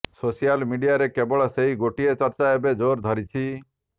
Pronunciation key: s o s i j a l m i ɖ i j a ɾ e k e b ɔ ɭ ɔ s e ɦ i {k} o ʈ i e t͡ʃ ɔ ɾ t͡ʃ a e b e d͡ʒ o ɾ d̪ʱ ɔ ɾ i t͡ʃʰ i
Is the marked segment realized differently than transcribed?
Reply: yes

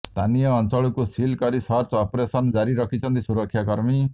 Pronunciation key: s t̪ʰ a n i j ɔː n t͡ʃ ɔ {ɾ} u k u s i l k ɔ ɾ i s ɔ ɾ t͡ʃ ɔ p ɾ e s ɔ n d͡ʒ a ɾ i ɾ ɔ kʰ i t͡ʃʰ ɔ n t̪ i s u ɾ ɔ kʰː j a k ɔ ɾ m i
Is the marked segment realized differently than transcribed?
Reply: yes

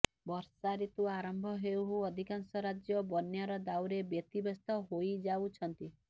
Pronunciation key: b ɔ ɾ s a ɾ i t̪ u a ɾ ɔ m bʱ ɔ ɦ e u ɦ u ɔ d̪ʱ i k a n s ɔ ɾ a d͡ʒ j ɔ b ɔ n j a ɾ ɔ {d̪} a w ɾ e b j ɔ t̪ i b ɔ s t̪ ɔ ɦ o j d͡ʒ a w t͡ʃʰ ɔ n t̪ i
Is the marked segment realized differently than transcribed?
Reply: no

